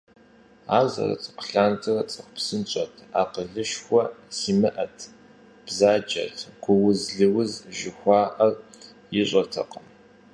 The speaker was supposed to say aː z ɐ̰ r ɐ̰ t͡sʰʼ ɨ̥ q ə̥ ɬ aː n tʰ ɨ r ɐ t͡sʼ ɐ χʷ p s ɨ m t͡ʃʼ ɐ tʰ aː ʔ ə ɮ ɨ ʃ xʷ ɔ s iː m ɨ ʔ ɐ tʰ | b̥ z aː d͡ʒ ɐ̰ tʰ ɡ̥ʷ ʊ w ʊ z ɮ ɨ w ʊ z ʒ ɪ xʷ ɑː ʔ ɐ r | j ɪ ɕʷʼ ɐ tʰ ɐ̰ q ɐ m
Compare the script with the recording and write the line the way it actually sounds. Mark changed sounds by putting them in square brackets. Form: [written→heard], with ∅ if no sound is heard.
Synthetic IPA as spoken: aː z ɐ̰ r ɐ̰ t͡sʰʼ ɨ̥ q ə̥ ɬ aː n tʰ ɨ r ɐ t͡sʼ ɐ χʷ p s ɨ [m→n] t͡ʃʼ ɐ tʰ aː [ʔ→q] ə ɮ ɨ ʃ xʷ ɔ s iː m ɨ ʔ ɐ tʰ | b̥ z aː d͡ʒ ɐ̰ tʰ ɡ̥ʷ ʊ w ʊ z ɮ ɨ w ʊ z ʒ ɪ xʷ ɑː ʔ ɐ r | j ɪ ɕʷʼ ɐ tʰ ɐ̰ q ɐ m

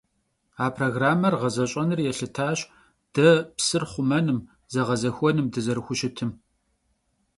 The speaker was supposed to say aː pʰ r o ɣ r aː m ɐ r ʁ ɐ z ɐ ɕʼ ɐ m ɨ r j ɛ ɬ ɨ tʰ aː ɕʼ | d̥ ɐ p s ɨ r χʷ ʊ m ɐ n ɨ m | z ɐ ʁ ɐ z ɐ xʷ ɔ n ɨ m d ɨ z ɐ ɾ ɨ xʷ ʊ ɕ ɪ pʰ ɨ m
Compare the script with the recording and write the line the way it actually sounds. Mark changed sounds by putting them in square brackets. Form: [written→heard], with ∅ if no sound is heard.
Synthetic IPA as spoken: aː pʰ r o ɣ r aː m ɐ r ʁ ɐ z ɐ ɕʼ ɐ [m→n] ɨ r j ɛ ɬ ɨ tʰ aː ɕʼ | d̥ ɐ p s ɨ r χʷ ʊ m ɐ n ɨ m | z ɐ ʁ ɐ z ɐ xʷ ɔ n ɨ m d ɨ z ɐ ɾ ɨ xʷ ʊ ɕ ɪ [pʰ→tʰ] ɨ m

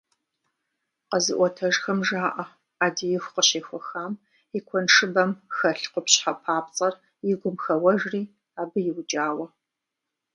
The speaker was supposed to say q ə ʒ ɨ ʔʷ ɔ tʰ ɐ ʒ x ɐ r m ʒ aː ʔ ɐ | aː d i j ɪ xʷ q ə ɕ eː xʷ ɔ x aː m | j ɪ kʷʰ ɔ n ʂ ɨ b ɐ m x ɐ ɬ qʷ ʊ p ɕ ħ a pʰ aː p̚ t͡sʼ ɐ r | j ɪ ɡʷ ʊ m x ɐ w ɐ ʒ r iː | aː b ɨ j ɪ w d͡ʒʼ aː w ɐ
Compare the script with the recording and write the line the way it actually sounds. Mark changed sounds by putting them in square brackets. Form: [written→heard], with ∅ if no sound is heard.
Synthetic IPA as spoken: q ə [ʒ→z] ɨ ʔʷ ɔ tʰ ɐ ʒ x ɐ [r→∅] m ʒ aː ʔ ɐ | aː d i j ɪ xʷ q ə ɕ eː xʷ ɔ x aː m | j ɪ kʷʰ ɔ n ʂ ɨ b ɐ m x ɐ ɬ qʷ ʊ p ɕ ħ a pʰ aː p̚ t͡sʼ ɐ r | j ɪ ɡʷ ʊ m x ɐ w ɐ ʒ r iː | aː b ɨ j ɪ w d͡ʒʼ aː w ɐ

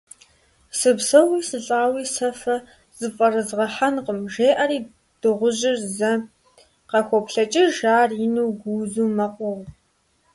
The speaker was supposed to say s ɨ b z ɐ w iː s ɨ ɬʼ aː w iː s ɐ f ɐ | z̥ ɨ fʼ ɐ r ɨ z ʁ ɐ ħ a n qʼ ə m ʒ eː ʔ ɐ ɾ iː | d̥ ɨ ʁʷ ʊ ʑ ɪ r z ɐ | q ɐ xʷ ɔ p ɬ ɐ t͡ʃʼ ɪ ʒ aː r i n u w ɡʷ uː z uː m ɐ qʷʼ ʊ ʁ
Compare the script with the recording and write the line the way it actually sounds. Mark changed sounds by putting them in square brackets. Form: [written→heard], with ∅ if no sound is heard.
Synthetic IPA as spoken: s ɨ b [z→s] ɐ w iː s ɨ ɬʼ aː w iː s ɐ f ɐ | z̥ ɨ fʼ ɐ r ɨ z ʁ ɐ ħ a n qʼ ə m ʒ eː ʔ ɐ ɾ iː | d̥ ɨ ʁʷ ʊ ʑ ɪ r z ɐ | q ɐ xʷ ɔ p ɬ ɐ t͡ʃʼ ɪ ʒ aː r i n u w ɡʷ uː z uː m ɐ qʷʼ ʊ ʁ

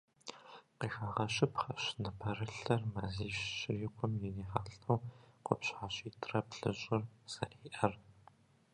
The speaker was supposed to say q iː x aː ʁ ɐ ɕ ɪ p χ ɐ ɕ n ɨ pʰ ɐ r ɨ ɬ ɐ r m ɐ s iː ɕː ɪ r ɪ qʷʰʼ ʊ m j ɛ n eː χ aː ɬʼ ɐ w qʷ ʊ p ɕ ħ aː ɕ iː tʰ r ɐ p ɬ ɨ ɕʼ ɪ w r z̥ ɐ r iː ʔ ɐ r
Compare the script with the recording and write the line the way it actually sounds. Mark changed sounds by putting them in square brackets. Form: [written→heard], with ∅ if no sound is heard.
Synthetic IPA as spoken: q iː x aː ʁ ɐ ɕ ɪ p χ ɐ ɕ n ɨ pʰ ɐ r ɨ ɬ ɐ r m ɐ [s→z] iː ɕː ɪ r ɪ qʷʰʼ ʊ m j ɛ n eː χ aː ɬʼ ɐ w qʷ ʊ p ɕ ħ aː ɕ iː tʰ r ɐ p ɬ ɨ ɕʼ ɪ [w→∅] r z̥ ɐ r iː ʔ ɐ r

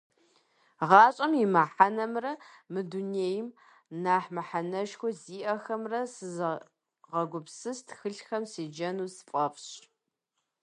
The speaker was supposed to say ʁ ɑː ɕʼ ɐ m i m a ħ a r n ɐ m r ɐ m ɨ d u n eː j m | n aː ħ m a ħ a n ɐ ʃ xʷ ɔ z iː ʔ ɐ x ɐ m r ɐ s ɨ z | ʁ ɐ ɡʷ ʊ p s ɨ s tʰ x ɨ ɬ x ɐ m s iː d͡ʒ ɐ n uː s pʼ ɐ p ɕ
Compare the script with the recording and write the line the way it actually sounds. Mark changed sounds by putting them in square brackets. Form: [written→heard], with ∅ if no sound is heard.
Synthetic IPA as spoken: ʁ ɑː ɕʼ ɐ m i m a ħ a [r→∅] n ɐ m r ɐ m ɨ d u n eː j m | n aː ħ m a ħ a n ɐ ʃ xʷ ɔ z iː ʔ ɐ x ɐ m r ɐ s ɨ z | ʁ ɐ ɡʷ ʊ p s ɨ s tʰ x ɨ ɬ x ɐ m s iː d͡ʒ ɐ n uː s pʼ ɐ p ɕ

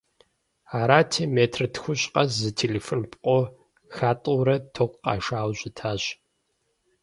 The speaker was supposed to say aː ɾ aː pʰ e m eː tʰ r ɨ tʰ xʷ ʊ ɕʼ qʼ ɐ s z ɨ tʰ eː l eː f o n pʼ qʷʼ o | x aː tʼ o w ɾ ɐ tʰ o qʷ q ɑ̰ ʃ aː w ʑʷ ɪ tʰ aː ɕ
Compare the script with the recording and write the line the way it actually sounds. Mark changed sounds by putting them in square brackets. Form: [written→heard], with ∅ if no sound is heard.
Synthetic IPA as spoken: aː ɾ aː [pʰ→tʰ] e m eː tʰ r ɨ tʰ xʷ ʊ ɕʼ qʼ ɐ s z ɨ tʰ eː l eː f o n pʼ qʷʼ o | x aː tʼ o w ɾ ɐ tʰ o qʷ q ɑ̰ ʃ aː w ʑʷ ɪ tʰ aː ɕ

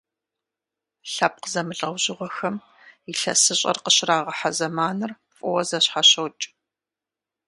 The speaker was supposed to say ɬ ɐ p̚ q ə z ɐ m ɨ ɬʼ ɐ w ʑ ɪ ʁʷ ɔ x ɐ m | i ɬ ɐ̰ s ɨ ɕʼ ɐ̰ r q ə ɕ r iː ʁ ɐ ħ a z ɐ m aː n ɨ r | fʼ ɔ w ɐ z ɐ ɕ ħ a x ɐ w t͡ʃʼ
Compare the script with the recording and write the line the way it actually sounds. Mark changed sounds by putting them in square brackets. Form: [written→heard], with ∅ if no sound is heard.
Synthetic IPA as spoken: ɬ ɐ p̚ q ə z ɐ m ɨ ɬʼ ɐ w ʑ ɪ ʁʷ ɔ x ɐ m | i ɬ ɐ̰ s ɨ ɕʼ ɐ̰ r q ə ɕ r [iː→aː] ʁ ɐ ħ a z ɐ m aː n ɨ r | fʼ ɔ w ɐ z ɐ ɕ ħ a [x→ɕ] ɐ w t͡ʃʼ

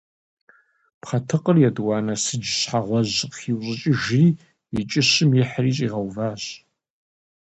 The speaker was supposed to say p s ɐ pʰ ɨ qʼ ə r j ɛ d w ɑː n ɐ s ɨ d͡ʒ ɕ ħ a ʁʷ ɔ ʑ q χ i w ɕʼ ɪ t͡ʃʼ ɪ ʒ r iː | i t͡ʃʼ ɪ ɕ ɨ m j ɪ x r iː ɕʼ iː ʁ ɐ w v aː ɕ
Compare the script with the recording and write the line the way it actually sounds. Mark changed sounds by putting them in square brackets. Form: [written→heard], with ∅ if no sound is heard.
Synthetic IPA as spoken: p [s→χ] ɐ [pʰ→tʰ] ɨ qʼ ə r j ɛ d w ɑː n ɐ s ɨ d͡ʒ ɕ ħ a ʁʷ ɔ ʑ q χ i w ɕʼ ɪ t͡ʃʼ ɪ ʒ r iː | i t͡ʃʼ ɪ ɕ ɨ m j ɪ [x→ħ] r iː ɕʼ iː ʁ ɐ w v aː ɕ

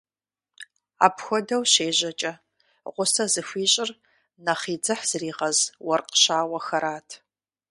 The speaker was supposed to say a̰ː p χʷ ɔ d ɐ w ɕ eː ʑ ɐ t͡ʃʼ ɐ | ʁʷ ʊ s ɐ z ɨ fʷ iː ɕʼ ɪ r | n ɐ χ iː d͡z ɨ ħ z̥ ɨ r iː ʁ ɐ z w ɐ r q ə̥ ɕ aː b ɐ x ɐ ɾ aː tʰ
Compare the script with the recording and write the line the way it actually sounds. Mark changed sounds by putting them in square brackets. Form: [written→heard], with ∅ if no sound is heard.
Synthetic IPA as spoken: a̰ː p [χʷ→xʷ] ɔ d ɐ w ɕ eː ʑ ɐ t͡ʃʼ ɐ | ʁʷ ʊ s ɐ z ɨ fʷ iː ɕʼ ɪ r | n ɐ χ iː d͡z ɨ ħ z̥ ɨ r iː ʁ ɐ z w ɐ r q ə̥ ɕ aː [b→w] ɐ x ɐ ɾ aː tʰ

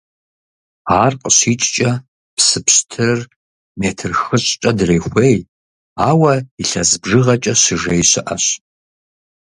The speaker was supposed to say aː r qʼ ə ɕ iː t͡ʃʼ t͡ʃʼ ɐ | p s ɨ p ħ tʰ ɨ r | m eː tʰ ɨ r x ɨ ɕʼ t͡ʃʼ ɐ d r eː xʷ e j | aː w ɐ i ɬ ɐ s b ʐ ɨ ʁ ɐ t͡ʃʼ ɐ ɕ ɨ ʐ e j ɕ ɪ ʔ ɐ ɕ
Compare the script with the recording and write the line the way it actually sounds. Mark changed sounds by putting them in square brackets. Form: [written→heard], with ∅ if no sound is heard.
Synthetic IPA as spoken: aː r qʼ ə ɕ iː t͡ʃʼ t͡ʃʼ ɐ | p s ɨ p [ħ→ɕ] tʰ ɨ r | m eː tʰ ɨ r x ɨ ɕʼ t͡ʃʼ ɐ d r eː xʷ e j | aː w ɐ i ɬ ɐ [s→z] b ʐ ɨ ʁ ɐ t͡ʃʼ ɐ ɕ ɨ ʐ e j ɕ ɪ ʔ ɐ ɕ

